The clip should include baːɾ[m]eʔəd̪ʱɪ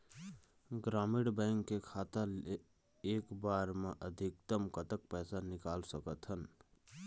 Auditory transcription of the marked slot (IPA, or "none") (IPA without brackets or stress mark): m